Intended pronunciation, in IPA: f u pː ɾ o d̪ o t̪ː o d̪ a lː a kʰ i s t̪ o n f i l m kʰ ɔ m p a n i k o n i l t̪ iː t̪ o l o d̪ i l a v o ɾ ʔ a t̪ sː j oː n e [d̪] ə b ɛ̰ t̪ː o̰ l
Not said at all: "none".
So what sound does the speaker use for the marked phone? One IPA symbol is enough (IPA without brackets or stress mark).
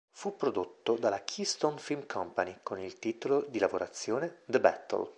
d̪